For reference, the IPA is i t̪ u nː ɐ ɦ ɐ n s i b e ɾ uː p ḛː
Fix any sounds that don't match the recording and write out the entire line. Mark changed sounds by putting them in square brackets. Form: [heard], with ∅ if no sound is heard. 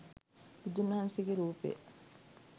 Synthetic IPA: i [d̪] u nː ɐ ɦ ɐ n s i [ɡ] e ɾ uː p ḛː